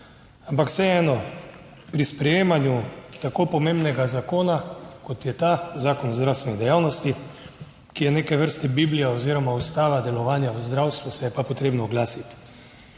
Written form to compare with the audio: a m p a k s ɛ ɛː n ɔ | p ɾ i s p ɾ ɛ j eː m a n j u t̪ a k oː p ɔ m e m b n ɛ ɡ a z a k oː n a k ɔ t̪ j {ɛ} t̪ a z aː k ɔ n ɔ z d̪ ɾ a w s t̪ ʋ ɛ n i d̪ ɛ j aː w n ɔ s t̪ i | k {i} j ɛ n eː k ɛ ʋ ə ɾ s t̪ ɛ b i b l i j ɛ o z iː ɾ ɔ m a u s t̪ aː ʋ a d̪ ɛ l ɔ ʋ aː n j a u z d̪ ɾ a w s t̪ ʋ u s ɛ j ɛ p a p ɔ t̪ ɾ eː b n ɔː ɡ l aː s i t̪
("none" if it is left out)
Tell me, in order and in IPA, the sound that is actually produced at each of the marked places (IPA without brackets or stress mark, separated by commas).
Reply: ɛ, i